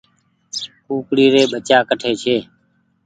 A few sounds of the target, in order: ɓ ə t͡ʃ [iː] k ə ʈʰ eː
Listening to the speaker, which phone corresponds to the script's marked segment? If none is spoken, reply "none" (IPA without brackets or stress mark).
aː